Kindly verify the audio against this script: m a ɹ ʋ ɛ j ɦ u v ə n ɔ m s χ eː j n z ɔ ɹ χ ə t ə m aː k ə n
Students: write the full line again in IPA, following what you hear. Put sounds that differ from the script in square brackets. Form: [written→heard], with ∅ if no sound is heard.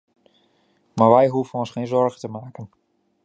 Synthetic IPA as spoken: m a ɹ ʋ ɛ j ɦ u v ə n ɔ [m→n] s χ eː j n z ɔ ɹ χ ə t ə m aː k ə n